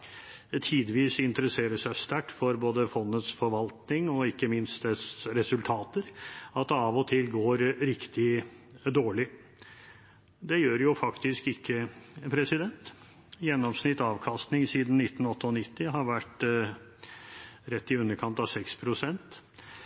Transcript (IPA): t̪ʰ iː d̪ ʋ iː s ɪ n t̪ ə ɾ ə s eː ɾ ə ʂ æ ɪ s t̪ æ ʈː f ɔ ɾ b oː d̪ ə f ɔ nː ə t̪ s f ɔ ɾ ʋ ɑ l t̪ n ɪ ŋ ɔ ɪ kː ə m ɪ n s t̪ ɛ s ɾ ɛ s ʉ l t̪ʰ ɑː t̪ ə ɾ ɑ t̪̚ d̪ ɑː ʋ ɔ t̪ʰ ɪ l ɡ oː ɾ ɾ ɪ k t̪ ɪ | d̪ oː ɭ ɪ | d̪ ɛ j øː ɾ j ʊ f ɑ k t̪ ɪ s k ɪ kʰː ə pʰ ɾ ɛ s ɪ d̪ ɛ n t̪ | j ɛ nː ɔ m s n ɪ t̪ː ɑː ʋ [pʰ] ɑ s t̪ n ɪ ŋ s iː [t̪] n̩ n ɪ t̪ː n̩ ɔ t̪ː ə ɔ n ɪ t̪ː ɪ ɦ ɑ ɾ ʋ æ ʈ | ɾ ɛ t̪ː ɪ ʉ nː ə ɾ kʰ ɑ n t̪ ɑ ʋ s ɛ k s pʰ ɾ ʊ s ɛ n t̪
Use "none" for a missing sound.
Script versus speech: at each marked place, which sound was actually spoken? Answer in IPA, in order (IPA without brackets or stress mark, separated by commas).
kʰ, d̪